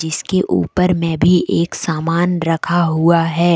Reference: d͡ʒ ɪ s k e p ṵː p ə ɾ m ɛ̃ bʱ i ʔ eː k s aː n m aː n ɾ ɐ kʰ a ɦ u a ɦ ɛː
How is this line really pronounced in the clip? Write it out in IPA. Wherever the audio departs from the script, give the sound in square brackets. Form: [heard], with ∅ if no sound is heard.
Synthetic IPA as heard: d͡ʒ ɪ s k e [ʔ] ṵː p ə ɾ m ɛ̃ bʱ i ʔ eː k s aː [∅] m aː n ɾ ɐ kʰ a ɦ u a ɦ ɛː